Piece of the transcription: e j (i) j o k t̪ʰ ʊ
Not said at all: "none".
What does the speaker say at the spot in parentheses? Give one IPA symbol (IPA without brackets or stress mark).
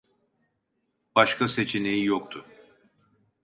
i